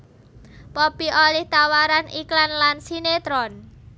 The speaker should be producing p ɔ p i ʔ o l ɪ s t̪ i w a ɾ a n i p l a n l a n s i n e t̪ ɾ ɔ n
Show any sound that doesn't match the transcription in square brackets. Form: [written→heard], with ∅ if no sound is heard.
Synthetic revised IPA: p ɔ p i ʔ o l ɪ [s→h] t̪ [i→a] w a ɾ a n i [p→k] l a n l a n s i n e t̪ ɾ ɔ n